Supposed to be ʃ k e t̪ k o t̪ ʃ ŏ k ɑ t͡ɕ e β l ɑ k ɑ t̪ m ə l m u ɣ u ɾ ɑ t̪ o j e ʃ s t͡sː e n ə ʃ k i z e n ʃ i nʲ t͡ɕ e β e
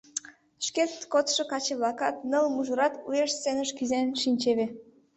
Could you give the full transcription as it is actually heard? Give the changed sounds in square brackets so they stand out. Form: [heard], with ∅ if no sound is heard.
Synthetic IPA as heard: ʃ k e t̪ k o t̪ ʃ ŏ k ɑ t͡ɕ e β l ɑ k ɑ t̪ [n] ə l m u [ʒ] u ɾ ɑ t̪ [u] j e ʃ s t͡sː e n ə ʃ k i z e n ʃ i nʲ t͡ɕ e β e